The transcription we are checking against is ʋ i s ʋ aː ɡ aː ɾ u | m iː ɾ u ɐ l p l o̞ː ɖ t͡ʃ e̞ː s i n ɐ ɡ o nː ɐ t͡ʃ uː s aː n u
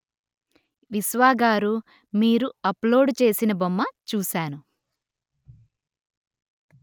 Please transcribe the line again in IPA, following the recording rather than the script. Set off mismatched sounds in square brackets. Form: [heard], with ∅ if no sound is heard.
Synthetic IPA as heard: ʋ i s ʋ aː ɡ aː ɾ u | m iː ɾ u ɐ [∅] p l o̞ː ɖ t͡ʃ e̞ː s i n ɐ [b] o [mː] ɐ t͡ʃ uː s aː n u